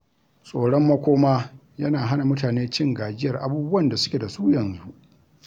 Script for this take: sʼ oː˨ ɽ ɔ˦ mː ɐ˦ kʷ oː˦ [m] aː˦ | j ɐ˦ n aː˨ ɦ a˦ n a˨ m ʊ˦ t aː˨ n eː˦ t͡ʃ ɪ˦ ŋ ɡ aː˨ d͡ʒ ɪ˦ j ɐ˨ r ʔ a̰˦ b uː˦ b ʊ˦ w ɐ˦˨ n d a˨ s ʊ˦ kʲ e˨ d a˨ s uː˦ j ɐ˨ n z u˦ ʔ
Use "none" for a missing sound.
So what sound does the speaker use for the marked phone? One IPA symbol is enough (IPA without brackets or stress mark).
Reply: m